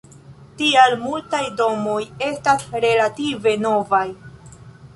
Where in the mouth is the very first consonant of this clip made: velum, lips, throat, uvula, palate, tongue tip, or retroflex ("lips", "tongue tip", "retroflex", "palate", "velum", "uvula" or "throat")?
tongue tip